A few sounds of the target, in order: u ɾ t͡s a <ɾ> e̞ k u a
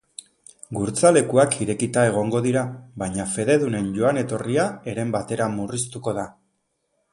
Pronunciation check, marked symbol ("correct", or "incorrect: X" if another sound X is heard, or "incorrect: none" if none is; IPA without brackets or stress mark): incorrect: l